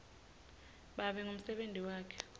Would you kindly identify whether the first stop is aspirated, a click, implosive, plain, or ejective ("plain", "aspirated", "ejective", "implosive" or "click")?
implosive